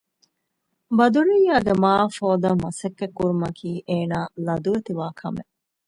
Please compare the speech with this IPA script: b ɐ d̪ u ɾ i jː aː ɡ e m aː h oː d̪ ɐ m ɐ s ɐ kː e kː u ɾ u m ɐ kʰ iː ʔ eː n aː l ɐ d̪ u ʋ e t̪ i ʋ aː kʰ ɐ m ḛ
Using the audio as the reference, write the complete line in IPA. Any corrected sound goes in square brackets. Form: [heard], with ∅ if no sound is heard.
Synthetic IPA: b ɐ d̪ u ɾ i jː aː ɡ e m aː [f] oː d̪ ɐ m ɐ s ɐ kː e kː u ɾ u m ɐ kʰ iː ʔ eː n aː l ɐ d̪ u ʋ e t̪ i ʋ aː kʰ ɐ m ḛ